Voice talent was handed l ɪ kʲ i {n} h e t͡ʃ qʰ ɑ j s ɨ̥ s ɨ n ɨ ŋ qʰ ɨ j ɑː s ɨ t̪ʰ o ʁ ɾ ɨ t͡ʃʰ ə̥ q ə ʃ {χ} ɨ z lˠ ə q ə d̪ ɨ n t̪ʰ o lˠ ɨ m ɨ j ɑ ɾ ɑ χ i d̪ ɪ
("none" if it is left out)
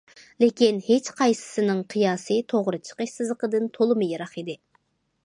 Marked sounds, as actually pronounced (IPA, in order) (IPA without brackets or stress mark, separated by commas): n, s